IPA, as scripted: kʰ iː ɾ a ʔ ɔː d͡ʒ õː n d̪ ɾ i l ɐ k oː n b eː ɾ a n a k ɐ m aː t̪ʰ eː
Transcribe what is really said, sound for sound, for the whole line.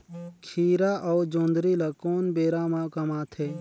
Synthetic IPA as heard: kʰ iː ɾ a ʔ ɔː d͡ʒ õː n d̪ ɾ i l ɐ k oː n b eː ɾ a m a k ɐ m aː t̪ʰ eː